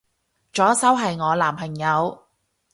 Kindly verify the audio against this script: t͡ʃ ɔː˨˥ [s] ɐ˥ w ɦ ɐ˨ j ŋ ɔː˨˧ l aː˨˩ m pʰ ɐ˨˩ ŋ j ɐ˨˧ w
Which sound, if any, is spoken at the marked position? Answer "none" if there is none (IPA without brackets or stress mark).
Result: s